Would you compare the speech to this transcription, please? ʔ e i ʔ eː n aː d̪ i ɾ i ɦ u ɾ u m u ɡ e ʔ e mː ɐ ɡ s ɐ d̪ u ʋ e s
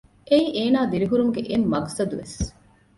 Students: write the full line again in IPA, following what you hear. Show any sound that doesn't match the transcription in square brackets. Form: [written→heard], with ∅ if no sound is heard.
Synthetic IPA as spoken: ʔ e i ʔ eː n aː d̪ i ɾ i ɦ u ɾ u m u ɡ e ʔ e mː ɐ ɡ s ɐ d̪ u ʋ e s

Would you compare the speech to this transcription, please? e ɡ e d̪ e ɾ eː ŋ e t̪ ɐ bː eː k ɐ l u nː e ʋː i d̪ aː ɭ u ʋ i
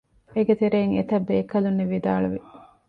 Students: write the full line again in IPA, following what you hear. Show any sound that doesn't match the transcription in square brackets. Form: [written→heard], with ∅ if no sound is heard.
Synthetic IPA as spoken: e ɡ e [d̪→t̪] e ɾ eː ŋ e t̪ ɐ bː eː k ɐ l u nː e [ʋː→ʋ] i d̪ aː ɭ u ʋ i

